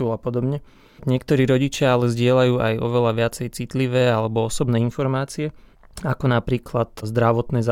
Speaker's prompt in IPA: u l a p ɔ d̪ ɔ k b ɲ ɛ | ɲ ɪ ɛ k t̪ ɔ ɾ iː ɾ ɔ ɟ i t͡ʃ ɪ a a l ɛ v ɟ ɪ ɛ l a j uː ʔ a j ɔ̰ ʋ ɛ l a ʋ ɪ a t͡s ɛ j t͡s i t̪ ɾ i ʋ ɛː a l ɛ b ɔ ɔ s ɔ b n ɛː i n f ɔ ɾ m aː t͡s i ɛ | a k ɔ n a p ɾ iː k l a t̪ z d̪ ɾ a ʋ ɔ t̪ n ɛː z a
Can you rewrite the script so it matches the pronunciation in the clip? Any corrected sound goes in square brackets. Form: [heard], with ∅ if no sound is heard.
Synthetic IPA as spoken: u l a p ɔ d̪ ɔ [∅] b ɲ ɛ | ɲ ɪ ɛ k t̪ ɔ ɾ iː ɾ ɔ ɟ i t͡ʃ ɪ a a l ɛ [z] ɟ ɪ ɛ l a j uː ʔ a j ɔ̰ ʋ ɛ l a ʋ ɪ a t͡s ɛ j t͡s i t̪ [l] i ʋ ɛː a l ɛ b ɔ ɔ s ɔ b n ɛː i n f ɔ ɾ m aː t͡s i ɛ | a k ɔ n a p ɾ iː k l a t̪ z d̪ ɾ a ʋ ɔ t̪ n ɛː z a